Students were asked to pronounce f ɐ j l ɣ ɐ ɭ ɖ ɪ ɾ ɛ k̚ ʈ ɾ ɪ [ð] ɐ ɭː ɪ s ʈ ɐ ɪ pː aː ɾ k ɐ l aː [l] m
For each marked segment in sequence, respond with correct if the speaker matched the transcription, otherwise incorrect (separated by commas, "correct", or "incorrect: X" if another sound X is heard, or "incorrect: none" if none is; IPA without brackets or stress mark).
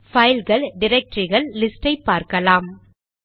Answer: incorrect: ɣ, incorrect: none